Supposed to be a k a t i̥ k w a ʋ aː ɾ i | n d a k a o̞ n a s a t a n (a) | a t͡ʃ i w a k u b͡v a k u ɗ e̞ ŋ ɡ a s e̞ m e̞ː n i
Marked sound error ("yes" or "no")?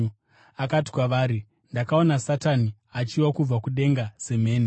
yes